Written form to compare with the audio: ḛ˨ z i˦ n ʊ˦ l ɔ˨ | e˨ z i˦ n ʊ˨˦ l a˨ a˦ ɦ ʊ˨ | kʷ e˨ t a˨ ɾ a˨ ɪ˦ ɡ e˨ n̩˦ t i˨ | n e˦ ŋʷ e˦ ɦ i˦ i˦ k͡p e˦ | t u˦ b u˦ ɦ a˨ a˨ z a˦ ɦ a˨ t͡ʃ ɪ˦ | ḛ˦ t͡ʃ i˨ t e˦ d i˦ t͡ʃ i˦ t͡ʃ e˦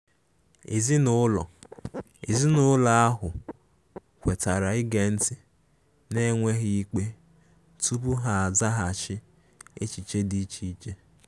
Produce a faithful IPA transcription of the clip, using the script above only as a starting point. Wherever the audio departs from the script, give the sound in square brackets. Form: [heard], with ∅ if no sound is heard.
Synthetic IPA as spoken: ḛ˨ z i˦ n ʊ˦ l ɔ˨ | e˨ z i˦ n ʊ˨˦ l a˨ a˦ ɦ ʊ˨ | kʷ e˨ t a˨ ɾ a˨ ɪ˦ ɡ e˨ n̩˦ t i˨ | n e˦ ŋʷ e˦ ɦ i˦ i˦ k͡p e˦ | t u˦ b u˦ ɦ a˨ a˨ z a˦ ɦ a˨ t͡ʃ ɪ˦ | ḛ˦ t͡ʃ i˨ [t͡ʃ] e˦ d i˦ t͡ʃ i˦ t͡ʃ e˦